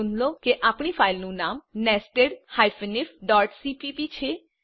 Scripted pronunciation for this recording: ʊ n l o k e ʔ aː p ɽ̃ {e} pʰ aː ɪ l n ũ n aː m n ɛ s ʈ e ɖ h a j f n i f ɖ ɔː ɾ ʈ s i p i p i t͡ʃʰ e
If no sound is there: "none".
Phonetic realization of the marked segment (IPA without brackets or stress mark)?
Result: i